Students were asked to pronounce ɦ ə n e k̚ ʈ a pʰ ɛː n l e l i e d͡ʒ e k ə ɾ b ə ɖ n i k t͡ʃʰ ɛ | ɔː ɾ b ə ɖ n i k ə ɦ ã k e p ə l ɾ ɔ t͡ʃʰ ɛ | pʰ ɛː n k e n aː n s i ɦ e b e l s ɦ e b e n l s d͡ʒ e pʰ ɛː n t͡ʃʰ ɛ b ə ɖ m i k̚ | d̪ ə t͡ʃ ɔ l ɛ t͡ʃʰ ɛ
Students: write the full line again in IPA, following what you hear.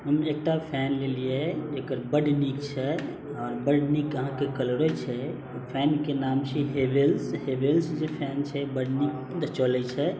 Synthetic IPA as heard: ɦ ə m e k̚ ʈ a pʰ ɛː n l e l i e d͡ʒ e k ə ɾ b ə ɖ n i k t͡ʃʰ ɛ | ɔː ɾ b ə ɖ n i k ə ɦ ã k e k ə l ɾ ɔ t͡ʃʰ ɛ | pʰ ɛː n k e n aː m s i ɦ e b e l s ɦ e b e l s d͡ʒ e pʰ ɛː n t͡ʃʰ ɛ b ə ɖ n i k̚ | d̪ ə t͡ʃ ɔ l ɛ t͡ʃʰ ɛ